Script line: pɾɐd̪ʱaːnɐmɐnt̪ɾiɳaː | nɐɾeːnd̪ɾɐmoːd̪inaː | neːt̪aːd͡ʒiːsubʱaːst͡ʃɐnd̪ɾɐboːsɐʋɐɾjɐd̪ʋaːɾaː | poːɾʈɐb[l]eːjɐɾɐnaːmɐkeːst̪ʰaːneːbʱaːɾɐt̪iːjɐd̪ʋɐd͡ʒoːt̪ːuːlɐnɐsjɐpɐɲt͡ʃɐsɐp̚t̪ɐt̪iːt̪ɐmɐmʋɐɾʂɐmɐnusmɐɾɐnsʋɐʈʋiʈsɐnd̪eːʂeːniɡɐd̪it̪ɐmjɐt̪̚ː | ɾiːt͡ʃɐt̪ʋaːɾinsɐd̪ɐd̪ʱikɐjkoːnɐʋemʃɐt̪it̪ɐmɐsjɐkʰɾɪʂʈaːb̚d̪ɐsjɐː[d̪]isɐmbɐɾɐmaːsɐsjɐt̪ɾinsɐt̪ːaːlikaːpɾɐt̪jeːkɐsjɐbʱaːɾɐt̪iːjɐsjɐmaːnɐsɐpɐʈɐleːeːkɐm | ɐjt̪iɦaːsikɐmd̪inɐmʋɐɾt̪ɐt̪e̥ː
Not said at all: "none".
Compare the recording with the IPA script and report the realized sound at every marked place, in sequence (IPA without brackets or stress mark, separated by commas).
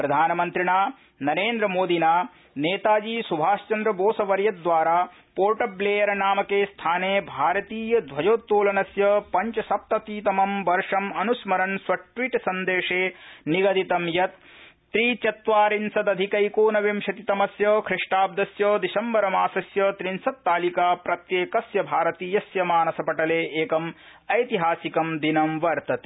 l, d̪